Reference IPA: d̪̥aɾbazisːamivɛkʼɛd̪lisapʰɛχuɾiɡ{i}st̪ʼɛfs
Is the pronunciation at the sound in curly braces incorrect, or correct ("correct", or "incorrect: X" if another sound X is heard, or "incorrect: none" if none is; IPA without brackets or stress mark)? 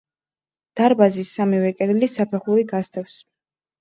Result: incorrect: a